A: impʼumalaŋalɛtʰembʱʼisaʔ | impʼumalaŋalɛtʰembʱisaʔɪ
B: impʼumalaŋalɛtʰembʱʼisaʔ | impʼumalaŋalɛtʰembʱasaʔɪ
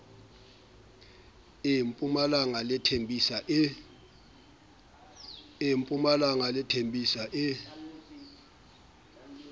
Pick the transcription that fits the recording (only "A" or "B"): A